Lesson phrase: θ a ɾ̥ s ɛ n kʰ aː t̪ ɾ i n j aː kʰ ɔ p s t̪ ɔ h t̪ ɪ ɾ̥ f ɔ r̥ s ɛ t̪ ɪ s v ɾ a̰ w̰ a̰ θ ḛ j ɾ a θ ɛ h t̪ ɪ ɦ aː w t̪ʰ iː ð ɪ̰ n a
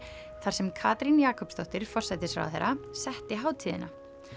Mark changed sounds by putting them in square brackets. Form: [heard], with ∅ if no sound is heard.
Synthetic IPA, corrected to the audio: θ a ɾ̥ s ɛ [m] kʰ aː t̪ ɾ i n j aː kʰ ɔ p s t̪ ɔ h t̪ ɪ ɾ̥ f ɔ r̥ s ɛ t̪ ɪ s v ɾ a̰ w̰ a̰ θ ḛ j ɾ a [s] ɛ h t̪ ɪ ɦ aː w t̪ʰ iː ð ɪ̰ n a